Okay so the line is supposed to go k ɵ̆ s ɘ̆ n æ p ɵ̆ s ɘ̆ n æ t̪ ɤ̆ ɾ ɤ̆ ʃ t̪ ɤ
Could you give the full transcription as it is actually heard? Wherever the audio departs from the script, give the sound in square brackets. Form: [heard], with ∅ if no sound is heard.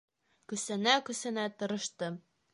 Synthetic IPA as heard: k ɵ̆ s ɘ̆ n æ [k] ɵ̆ s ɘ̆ n æ t̪ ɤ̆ ɾ ɤ̆ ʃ t̪ ɤ